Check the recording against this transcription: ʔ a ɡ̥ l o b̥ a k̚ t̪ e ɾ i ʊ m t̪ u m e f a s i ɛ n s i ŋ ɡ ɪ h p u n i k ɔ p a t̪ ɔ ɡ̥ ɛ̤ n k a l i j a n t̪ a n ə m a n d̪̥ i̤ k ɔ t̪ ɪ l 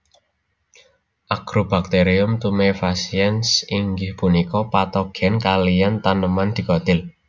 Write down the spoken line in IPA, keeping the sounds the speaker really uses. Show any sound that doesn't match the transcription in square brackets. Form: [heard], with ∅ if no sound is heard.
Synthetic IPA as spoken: ʔ a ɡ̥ [ɾ] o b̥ a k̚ t̪ e ɾ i ʊ m t̪ u m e f a s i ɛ n s i ŋ ɡ ɪ h p u n i k ɔ p a t̪ ɔ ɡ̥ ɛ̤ n k a l i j a n t̪ a n ə m a n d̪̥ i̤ k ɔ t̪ ɪ l

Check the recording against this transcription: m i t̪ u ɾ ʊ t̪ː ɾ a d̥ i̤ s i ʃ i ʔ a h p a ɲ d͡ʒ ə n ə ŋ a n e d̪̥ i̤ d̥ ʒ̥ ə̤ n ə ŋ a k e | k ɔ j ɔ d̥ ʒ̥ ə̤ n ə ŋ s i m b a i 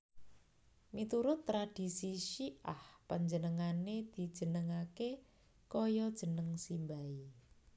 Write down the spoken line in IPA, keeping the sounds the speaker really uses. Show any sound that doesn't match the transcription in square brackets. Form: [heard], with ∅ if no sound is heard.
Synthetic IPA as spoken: m i t̪ u ɾ ʊ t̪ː ɾ a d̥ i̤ s i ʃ i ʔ a h p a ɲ d͡ʒ ə n ə ŋ a n e d̪̥ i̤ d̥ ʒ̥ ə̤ n ə ŋ a k e | k ɔ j ɔ d̥ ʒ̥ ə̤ n ə ŋ s i m b a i

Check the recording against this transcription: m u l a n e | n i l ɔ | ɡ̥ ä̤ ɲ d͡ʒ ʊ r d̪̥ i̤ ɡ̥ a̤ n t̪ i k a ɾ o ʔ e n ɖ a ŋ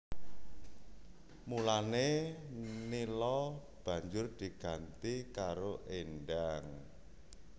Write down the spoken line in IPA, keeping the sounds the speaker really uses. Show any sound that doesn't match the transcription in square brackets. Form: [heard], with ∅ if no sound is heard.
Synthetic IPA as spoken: m u l a n e | n i l ɔ | [b̥] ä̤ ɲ d͡ʒ ʊ r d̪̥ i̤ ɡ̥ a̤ n t̪ i k a ɾ o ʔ e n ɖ a ŋ

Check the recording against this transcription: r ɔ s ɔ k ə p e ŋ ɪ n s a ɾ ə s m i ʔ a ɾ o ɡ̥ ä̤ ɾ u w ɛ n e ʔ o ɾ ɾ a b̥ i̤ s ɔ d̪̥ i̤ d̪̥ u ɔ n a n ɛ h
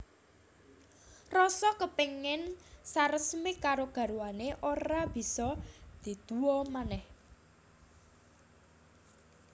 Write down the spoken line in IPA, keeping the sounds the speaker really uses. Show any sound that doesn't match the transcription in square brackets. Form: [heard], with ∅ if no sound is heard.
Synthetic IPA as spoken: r ɔ s ɔ k ə p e ŋ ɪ n s a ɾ ə s m i [k] a ɾ o ɡ̥ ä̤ ɾ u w [a] n e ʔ o ɾ ɾ a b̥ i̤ s ɔ d̪̥ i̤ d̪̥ u ɔ [m] a n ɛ h

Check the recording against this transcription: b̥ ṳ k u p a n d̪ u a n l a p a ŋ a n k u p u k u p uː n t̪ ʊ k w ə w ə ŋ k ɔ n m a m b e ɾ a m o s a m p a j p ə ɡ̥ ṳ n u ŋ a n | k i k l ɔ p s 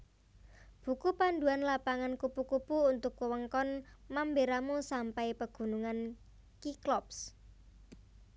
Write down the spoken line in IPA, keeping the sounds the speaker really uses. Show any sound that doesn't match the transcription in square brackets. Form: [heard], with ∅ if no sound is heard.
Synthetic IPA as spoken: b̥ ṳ k u p a n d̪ u a n l a p a ŋ a n k u p u k u p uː n t̪ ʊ k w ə w ə ŋ k ɔ n m a m b e ɾ a m [u] s a m p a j p ə ɡ̥ ṳ n u ŋ a n | k i k l ɔ p s

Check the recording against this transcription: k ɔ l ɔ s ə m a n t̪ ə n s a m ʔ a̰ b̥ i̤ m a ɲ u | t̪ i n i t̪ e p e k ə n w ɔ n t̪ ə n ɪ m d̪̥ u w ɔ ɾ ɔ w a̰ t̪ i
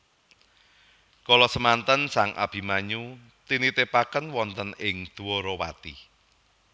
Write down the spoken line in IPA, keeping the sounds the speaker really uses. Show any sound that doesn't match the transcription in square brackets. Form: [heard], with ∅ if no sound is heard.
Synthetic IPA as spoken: k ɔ l ɔ s ə m a n t̪ ə n s a [ŋ] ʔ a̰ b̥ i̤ m a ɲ u | t̪ i n i t̪ e p [a] k ə n w ɔ n t̪ ə n ɪ [ŋ] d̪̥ u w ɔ ɾ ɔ w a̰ t̪ i

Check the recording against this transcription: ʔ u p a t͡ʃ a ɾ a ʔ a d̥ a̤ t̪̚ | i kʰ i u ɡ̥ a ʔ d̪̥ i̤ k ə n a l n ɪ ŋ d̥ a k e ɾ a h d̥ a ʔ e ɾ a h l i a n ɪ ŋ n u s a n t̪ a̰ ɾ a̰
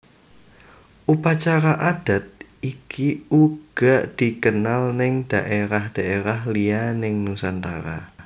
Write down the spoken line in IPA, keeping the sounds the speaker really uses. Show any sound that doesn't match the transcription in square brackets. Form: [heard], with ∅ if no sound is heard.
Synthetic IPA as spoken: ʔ u p a t͡ʃ a ɾ a ʔ a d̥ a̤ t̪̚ | i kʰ i u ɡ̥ a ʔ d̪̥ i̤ k ə n a l n ɪ ŋ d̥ a [ʔ] e ɾ a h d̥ a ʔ e ɾ a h l i a n ɪ ŋ n u s a n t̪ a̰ ɾ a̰

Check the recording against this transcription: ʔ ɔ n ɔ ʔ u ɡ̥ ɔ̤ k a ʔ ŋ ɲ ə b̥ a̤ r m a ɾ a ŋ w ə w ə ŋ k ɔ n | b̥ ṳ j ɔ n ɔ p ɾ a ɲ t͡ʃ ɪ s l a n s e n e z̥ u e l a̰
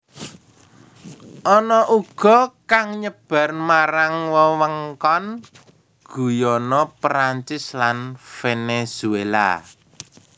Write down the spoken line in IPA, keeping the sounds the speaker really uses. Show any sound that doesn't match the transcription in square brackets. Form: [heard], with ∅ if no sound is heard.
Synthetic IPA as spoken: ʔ ɔ n ɔ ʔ u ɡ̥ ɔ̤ k a [∅] ŋ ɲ ə b̥ a̤ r m a ɾ a ŋ w ə w ə ŋ k ɔ n | [ɡ̥] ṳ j ɔ n ɔ p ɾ a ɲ t͡ʃ ɪ s l a n [f] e n e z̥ u e l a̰

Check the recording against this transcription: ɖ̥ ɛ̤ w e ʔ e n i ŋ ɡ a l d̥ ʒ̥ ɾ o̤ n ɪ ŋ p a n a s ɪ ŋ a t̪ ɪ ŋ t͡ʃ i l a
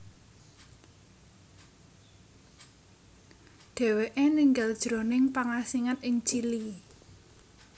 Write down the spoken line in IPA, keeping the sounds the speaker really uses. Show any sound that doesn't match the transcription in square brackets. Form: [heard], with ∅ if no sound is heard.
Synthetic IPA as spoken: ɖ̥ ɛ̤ w e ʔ e n i ŋ ɡ a l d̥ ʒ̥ ɾ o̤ n ɪ ŋ p a [ŋ] a s [i] ŋ a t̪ ɪ ŋ t͡ʃ i l [i]

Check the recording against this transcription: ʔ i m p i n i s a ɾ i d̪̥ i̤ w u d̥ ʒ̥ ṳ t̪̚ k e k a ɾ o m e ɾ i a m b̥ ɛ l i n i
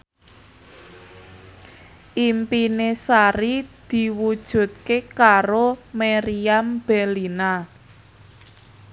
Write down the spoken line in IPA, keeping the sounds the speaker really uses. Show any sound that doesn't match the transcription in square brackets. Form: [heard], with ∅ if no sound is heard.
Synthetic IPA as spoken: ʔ i m p i n [e] s a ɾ i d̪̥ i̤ w u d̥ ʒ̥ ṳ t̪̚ k e k a ɾ o m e ɾ i a m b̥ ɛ l i n [a]

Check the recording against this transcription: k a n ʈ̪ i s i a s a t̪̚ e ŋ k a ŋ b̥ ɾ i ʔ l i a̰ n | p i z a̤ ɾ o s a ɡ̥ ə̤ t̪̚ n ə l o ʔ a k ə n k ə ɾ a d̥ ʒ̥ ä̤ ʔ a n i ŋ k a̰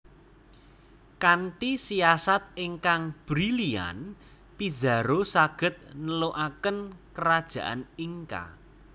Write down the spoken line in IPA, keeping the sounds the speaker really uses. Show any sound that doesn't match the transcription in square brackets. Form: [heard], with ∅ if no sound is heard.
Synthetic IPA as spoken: k a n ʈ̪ i s i a s a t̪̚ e ŋ k a ŋ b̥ ɾ i [∅] l i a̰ n | p i z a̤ ɾ o s a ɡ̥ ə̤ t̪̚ n ə l o ʔ a k ə n k ə ɾ a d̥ ʒ̥ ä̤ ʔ a n i ŋ k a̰

